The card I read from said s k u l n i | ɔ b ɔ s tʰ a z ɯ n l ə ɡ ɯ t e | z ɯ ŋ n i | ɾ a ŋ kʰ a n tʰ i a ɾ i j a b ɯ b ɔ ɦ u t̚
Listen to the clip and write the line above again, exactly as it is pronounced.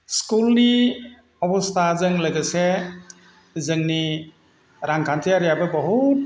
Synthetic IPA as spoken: s k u l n i | ɔ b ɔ s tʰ a z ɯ ŋ l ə ɡ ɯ s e | z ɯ ŋ n i | ɾ a ŋ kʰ a n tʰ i a ɾ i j a b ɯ b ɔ ɦ u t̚